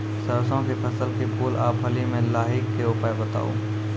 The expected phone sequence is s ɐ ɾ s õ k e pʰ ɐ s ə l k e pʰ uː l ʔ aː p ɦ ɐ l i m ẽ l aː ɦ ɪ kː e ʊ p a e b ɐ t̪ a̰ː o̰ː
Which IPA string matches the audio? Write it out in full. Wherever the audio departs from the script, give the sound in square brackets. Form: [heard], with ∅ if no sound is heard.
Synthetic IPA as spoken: s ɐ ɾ s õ k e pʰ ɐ s ə l k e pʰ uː l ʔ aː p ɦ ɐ l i m ẽ l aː ɦ ɪ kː e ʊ p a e b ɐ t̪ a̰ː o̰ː